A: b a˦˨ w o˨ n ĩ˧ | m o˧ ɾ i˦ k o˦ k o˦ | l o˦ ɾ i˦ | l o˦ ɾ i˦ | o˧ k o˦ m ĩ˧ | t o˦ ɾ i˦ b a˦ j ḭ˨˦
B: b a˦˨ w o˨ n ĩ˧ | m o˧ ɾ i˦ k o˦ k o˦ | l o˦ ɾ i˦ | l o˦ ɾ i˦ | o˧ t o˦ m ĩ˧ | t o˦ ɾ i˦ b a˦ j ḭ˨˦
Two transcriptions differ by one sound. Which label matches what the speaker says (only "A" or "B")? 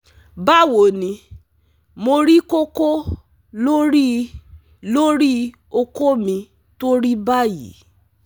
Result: A